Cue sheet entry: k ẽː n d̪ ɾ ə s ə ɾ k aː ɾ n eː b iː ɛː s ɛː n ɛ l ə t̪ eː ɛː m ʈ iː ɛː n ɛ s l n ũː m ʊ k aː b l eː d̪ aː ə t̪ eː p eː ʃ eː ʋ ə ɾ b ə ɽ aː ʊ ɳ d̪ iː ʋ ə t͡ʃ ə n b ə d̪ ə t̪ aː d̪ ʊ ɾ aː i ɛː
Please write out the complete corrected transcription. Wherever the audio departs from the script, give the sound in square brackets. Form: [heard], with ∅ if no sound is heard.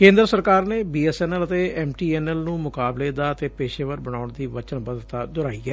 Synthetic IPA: k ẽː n d̪ ɾ ə s ə ɾ k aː ɾ n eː b iː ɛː s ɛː n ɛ l ə t̪ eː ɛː m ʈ iː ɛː n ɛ [∅] l n ũː m ʊ k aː b l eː d̪ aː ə t̪ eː p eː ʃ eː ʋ ə ɾ b ə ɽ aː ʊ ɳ d̪ iː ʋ ə t͡ʃ ə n b ə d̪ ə t̪ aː d̪ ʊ ɾ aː i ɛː

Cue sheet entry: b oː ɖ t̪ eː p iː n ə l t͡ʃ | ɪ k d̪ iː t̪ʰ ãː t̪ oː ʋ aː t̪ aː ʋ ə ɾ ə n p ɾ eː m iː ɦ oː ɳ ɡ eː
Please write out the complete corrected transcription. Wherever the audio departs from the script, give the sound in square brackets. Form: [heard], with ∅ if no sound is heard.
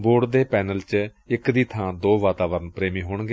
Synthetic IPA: b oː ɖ [d̪] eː p [ɛː] n ə l t͡ʃ | ɪ k d̪ iː t̪ʰ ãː [d̪] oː ʋ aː t̪ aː ʋ ə ɾ ə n p ɾ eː m iː ɦ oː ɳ ɡ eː

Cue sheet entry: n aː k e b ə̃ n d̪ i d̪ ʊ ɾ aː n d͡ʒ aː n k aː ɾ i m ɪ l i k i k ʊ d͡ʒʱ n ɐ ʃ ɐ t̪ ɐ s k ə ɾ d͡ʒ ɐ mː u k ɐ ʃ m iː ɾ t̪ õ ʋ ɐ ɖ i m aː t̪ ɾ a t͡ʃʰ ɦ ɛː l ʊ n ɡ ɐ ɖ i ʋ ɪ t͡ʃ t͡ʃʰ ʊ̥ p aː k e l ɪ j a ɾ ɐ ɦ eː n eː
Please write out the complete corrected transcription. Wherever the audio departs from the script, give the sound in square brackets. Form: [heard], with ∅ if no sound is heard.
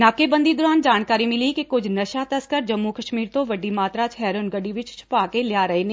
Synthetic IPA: n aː k e b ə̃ n d̪ i d̪ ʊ ɾ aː n d͡ʒ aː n k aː ɾ i m ɪ l i k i k ʊ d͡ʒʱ n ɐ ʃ [a] t̪ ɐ s k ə ɾ d͡ʒ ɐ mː u k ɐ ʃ m iː ɾ t̪ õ ʋ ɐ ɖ i m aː t̪ ɾ a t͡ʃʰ ɦ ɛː [ɾ] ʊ n ɡ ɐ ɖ i ʋ ɪ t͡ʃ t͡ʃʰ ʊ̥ p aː k e l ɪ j a ɾ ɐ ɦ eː n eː

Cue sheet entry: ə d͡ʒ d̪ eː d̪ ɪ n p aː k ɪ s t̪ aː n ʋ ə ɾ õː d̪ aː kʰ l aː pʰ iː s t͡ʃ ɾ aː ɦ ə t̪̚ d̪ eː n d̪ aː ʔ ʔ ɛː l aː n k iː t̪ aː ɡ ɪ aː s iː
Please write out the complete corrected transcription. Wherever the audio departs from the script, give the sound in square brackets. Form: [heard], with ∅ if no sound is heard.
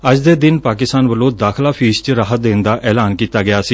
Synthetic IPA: ə d͡ʒ d̪ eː d̪ ɪ n p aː k ɪ s t̪ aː n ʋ ə [l] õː d̪ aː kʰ l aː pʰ iː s t͡ʃ ɾ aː ɦ ə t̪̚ d̪ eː n d̪ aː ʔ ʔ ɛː l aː n k iː t̪ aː ɡ ɪ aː s iː

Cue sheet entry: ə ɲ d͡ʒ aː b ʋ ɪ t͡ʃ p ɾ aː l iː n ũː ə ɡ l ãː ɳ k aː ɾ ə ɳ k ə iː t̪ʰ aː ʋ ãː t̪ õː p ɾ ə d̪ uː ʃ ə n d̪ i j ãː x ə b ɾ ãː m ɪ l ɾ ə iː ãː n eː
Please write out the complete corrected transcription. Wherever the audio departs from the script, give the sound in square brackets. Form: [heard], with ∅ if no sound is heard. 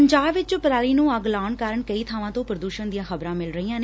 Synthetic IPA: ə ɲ d͡ʒ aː b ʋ ɪ t͡ʃ p ɾ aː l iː n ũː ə ɡ l [aː] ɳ k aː ɾ ə ɳ k ə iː t̪ʰ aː ʋ ãː t̪ õː p ɾ ə d̪ uː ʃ ə n d̪ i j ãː x ə b ɾ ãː m ɪ l ɾ ə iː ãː n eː

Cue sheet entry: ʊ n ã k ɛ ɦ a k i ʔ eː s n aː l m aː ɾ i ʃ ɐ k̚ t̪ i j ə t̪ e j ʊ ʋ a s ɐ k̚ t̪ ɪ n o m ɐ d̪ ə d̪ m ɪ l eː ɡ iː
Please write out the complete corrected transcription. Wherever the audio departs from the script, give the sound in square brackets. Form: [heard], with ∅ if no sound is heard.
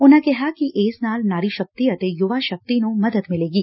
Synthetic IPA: ʊ n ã k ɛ ɦ a k i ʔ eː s n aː l [n] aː ɾ i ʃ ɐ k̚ t̪ i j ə t̪ e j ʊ ʋ a [ʃ] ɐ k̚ t̪ [i] n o m ɐ d̪ ə d̪ m ɪ l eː ɡ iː

